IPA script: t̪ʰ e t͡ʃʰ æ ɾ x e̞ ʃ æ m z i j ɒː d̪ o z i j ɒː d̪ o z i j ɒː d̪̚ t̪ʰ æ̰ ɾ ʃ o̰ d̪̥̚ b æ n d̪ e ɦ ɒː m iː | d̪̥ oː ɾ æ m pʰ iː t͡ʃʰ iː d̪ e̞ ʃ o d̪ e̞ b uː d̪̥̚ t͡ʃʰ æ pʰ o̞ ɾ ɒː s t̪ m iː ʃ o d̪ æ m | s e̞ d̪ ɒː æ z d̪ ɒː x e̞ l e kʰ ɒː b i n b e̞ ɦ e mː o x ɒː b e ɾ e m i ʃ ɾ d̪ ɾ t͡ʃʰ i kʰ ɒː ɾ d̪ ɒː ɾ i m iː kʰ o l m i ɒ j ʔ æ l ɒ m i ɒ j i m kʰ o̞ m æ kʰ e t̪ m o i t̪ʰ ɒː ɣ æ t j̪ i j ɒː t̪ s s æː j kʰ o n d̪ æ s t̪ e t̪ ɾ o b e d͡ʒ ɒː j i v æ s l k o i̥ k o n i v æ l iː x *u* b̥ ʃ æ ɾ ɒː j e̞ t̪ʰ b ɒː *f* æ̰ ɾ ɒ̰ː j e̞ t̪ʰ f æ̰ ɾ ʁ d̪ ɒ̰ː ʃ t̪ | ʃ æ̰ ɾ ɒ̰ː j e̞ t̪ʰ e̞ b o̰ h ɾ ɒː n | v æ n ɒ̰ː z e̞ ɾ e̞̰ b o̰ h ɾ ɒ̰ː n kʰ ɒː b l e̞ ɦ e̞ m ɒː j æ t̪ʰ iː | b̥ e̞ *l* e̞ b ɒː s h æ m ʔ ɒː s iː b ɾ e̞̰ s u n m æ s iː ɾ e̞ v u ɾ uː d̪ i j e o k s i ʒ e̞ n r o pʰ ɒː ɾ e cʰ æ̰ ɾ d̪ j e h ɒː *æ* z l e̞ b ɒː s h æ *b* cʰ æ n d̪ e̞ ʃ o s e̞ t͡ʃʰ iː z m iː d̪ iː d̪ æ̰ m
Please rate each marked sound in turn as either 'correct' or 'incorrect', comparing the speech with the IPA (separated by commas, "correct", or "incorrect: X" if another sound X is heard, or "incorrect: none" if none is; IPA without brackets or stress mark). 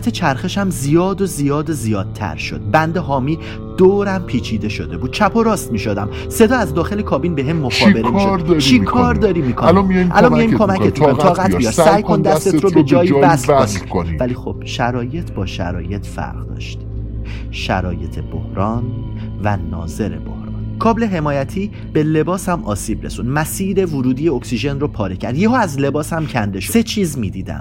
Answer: incorrect: o, incorrect: ʃ, correct, correct, incorrect: m